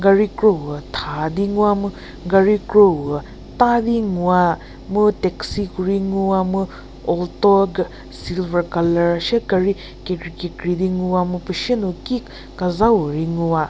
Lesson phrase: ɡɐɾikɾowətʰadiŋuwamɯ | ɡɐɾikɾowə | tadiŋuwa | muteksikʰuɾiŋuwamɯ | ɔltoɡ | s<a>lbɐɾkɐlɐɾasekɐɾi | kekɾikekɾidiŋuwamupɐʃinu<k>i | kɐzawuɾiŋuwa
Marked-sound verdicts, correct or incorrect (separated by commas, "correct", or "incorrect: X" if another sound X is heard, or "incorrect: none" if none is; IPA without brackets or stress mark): incorrect: i, correct